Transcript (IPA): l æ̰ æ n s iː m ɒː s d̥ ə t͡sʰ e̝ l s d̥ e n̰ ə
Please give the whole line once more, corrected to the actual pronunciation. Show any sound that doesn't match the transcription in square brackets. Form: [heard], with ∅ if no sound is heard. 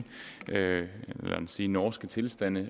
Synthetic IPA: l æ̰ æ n s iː [n] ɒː s [ɡ̥] ə t͡sʰ e̝ l s d̥ [æ] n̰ ə